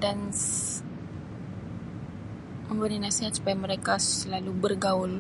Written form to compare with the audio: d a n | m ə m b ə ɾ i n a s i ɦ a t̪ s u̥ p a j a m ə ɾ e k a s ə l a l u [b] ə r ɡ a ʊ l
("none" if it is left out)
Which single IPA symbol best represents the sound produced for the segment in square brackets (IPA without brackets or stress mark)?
b